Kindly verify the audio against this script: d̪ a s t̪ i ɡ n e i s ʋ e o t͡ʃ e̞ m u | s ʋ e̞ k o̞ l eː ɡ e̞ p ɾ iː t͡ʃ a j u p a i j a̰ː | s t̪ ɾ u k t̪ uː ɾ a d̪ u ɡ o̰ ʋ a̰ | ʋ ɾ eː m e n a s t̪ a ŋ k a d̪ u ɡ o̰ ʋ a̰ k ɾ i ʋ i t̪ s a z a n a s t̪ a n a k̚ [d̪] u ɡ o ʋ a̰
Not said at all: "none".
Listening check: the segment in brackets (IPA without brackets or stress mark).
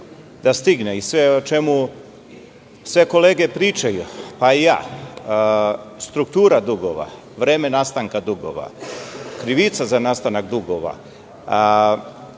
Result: d̪